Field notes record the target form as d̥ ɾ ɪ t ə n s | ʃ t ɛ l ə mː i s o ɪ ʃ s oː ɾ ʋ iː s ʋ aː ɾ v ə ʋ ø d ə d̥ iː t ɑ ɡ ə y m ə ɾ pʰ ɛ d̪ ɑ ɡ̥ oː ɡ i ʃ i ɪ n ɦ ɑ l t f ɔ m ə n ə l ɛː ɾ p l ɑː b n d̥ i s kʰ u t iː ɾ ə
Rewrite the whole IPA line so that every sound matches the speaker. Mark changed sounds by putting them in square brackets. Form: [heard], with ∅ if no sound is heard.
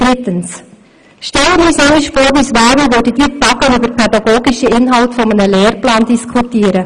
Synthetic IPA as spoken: d̥ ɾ ɪ t ə n s | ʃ t ɛ l ə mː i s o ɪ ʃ [f] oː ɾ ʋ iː s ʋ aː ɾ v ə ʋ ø d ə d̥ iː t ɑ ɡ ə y [b] ə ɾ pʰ ɛ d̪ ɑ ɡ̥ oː ɡ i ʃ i ɪ n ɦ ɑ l t f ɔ m ə n ə l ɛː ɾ p l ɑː [∅] n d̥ i s kʰ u t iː ɾ ə